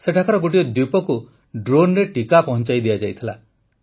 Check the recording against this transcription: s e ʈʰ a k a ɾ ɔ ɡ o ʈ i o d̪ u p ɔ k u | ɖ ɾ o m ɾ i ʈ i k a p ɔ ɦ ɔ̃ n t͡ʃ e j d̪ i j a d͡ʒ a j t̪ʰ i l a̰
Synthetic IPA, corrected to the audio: s e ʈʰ a k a ɾ ɔ ɡ o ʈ i ɔ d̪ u p ɔ k u | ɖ ɾ o n ɾ e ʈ i k a p ɔ ɦ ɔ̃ n t͡ʃ a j d̪ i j a d͡ʒ a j t̪ʰ i l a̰